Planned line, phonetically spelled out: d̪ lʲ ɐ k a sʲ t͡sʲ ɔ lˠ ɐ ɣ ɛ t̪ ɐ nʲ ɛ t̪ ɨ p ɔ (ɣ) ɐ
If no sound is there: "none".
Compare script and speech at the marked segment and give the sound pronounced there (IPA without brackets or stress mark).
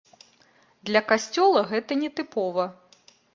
v